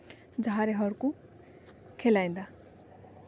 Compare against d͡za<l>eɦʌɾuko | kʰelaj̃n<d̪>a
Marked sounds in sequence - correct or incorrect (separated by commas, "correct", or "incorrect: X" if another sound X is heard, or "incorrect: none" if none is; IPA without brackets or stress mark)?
incorrect: ɾ, correct